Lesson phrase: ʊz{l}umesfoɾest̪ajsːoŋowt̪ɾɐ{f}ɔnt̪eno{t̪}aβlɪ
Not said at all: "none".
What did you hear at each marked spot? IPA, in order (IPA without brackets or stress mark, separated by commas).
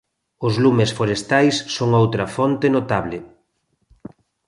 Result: l, f, t̪